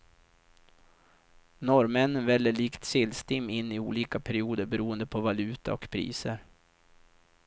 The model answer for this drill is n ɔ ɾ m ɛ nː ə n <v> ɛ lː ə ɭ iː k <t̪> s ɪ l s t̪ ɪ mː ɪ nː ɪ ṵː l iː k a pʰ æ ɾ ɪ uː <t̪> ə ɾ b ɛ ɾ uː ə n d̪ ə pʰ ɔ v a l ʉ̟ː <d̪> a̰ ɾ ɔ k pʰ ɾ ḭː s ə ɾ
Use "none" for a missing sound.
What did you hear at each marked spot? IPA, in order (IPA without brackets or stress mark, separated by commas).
v, t̪, d̪, t̪